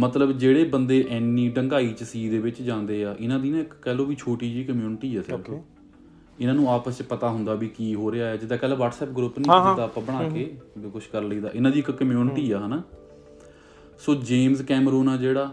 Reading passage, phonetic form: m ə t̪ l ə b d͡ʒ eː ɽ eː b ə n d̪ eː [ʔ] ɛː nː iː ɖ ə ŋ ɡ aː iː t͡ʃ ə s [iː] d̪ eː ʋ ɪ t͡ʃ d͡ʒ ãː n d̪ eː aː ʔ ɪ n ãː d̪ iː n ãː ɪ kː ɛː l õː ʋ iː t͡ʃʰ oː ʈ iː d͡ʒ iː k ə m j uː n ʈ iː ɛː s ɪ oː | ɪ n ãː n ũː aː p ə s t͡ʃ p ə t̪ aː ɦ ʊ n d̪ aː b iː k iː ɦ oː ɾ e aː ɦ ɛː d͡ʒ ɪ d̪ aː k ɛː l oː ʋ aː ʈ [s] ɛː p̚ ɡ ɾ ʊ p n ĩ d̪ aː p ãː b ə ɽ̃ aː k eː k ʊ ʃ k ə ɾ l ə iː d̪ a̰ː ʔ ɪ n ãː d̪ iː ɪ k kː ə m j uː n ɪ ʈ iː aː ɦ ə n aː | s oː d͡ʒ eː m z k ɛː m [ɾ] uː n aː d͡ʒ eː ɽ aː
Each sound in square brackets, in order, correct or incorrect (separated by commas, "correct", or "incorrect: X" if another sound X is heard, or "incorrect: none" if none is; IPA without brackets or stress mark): correct, correct, correct, correct